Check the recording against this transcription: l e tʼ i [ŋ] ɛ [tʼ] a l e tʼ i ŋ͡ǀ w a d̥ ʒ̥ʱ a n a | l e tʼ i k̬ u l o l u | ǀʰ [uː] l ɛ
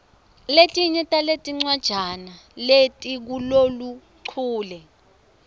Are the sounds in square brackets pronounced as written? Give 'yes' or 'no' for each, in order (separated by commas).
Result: no, yes, yes